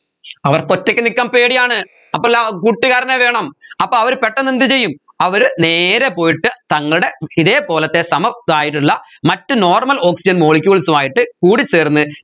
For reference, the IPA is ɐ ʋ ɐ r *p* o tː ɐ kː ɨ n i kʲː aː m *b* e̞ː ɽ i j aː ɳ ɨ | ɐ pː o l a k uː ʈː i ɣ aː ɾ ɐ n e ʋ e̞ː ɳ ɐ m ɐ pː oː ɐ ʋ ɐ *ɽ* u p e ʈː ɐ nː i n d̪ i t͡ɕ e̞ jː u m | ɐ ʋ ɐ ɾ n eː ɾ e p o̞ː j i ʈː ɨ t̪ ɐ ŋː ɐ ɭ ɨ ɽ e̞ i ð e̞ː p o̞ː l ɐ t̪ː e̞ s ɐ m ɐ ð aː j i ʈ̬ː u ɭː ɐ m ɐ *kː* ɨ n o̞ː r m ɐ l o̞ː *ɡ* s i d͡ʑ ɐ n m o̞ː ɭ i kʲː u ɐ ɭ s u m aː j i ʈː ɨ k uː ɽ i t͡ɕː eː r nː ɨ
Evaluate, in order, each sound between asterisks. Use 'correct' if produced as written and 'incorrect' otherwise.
incorrect: k, incorrect: p, incorrect: ɾ, incorrect: tː, incorrect: k

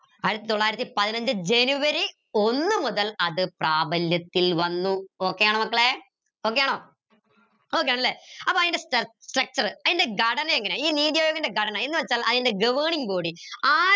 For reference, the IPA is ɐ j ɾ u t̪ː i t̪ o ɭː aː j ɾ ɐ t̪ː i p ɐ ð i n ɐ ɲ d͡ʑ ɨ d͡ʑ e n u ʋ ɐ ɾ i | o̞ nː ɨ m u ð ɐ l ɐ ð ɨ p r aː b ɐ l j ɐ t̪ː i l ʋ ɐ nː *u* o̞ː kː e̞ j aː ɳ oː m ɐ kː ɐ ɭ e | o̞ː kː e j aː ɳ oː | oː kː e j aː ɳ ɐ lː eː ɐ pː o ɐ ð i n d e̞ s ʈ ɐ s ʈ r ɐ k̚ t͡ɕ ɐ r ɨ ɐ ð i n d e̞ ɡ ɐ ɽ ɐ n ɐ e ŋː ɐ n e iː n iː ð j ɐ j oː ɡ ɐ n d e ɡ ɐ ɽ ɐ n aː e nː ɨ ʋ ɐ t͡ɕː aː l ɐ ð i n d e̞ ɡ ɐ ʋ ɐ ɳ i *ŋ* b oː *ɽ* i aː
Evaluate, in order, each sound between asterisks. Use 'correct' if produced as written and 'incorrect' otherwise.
correct, correct, correct

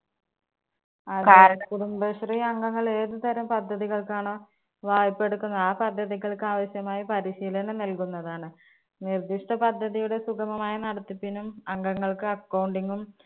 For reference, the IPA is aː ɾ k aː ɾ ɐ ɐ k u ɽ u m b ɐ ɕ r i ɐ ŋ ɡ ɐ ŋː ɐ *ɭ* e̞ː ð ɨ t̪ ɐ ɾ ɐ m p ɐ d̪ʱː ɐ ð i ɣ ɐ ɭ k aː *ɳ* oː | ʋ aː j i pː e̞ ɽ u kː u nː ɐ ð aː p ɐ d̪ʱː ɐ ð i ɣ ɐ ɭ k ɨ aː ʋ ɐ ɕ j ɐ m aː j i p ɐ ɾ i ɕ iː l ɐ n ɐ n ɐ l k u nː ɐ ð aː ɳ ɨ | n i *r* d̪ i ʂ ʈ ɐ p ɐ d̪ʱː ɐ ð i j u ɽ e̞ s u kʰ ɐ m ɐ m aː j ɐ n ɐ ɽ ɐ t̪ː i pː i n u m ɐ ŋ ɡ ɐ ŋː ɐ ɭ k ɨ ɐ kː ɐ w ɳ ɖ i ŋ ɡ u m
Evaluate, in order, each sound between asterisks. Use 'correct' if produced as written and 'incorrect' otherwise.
correct, correct, correct

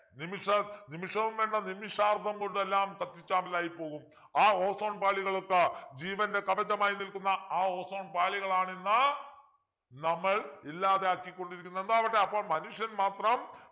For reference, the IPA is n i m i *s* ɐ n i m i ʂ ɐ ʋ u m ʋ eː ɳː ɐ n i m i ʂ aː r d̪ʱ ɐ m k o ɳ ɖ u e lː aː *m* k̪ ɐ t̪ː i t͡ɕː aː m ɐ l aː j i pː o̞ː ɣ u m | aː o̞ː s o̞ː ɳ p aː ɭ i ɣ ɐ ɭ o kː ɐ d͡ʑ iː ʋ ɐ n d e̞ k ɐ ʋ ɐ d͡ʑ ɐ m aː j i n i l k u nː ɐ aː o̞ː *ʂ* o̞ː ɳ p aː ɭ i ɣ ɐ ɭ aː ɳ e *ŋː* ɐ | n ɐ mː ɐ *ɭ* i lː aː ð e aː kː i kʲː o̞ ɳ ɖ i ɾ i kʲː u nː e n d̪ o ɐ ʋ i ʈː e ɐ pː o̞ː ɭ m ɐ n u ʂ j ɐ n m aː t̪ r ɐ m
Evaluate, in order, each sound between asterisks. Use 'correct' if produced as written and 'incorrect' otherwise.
incorrect: ʂ, correct, incorrect: s, incorrect: nː, correct

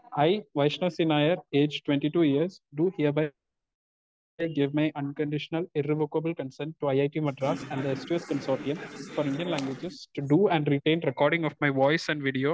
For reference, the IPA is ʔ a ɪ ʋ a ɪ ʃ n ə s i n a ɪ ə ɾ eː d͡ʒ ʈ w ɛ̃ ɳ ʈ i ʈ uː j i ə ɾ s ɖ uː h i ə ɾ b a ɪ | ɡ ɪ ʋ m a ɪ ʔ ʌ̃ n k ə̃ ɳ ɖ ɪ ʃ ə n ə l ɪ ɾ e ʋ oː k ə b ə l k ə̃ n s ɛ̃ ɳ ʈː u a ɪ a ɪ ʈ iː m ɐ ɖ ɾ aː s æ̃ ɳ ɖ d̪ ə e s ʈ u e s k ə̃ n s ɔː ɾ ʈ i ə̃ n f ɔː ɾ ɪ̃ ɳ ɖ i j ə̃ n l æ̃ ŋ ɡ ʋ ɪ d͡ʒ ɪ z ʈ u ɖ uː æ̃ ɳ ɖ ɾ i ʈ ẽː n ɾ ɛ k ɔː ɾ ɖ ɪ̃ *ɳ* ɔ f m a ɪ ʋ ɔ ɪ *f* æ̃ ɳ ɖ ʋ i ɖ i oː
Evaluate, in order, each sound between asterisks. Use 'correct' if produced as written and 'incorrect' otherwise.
incorrect: ŋ, incorrect: s

